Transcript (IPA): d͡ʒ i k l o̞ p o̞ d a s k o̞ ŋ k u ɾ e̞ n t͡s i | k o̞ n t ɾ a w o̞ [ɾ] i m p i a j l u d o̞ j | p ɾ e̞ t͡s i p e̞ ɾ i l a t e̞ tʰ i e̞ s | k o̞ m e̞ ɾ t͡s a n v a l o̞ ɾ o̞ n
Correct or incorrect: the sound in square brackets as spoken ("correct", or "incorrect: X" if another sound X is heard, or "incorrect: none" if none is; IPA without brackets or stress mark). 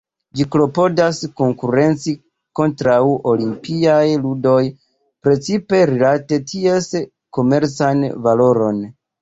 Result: incorrect: l